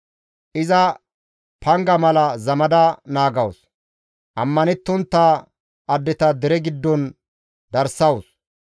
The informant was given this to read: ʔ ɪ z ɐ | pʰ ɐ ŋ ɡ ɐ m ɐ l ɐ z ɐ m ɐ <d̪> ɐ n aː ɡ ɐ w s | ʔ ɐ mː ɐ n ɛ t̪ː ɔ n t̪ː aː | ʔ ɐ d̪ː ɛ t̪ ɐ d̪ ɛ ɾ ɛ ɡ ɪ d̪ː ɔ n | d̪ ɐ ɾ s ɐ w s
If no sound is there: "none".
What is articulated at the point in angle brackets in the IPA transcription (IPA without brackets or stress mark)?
d̪